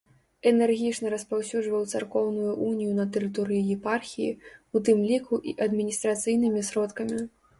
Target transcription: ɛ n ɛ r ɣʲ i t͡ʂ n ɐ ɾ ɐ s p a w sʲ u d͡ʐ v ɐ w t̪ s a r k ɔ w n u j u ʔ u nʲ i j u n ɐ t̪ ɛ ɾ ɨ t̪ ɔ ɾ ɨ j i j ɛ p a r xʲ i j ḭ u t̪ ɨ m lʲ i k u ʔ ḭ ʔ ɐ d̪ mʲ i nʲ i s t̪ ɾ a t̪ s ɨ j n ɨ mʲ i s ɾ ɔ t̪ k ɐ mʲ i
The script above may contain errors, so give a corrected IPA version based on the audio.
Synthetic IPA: ɛ n ɛ r ɣʲ i t͡ʂ n ɐ ɾ ɐ s p a w sʲ u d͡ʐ v ɐ w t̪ s a r k ɔ w n u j u ʔ u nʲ i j u n ɐ t̪ ɛ ɾ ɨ t̪ ɔ ɾ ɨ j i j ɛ p a r xʲ i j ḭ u t̪ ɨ m lʲ i k u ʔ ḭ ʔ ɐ d̪ mʲ i nʲ i s t̪ ɾ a t̪ s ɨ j n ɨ mʲ i s ɾ ɔ t̪ k ɐ mʲ i